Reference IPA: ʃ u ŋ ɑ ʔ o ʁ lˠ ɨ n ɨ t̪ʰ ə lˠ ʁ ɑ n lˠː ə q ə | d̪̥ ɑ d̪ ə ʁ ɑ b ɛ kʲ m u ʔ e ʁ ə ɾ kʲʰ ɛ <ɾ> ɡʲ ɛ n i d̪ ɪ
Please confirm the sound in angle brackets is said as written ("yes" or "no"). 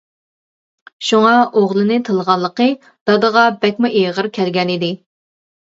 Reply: no